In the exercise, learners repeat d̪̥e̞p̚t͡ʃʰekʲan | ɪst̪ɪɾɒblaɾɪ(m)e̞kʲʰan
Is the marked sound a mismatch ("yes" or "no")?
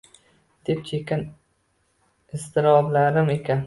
no